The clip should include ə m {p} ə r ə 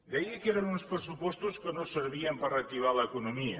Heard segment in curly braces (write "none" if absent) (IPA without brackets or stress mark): p